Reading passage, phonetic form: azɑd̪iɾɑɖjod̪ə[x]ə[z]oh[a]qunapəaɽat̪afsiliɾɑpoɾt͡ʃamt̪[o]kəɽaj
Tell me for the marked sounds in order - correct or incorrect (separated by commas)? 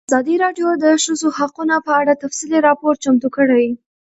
incorrect, correct, correct, incorrect